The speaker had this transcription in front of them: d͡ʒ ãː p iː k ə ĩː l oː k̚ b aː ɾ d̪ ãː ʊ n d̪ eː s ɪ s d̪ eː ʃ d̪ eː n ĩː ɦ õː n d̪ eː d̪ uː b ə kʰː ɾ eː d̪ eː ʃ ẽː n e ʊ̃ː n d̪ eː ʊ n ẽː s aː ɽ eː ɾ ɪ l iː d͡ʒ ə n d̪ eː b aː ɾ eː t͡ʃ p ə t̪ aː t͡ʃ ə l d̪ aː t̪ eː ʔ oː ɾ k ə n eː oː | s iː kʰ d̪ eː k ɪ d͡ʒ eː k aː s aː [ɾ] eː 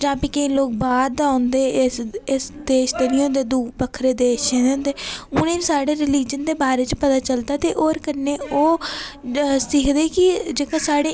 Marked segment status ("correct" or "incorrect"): incorrect